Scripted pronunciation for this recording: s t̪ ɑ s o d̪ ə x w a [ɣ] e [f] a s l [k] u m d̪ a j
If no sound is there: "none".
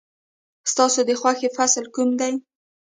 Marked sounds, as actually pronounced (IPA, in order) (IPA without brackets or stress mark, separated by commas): x, f, k